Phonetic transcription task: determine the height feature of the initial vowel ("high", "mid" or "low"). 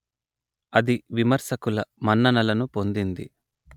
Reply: low